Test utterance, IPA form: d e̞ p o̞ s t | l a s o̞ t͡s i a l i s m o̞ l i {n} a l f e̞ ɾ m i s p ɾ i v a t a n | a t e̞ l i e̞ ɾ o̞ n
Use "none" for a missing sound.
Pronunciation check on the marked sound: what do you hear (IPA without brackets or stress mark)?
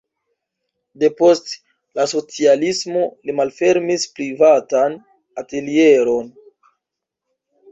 m